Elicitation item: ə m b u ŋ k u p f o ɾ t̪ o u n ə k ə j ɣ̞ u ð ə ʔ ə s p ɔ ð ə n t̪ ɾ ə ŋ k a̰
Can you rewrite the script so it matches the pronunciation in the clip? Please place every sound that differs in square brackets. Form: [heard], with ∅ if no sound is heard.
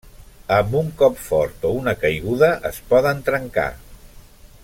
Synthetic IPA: ə m b u ŋ k [ɔ] p f [ɔ] ɾ t̪ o u n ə k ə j ɣ̞ u ð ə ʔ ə s p ɔ ð ə n t̪ ɾ ə ŋ k a̰